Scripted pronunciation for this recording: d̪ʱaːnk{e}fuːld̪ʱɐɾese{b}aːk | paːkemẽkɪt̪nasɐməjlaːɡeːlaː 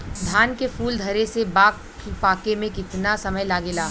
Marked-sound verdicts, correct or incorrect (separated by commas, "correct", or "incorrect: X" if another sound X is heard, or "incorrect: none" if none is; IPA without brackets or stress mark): correct, correct